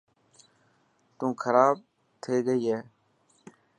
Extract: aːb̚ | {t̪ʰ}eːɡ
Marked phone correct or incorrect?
correct